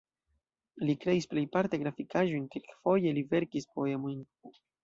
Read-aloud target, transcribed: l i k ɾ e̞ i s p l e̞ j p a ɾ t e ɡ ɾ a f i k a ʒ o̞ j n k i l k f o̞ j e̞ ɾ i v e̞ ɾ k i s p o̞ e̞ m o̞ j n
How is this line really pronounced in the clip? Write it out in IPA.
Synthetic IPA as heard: l i k ɾ e̞ i s p l e̞ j p a ɾ t e ɡ ɾ a f i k a ʒ o̞ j n k i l k f o̞ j e̞ l i v e̞ ɾ k i s p o̞ e̞ m o̞ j n